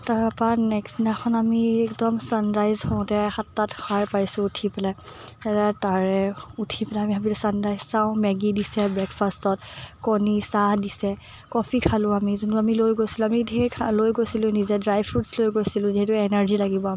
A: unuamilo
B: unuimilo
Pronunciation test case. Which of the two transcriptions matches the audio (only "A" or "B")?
A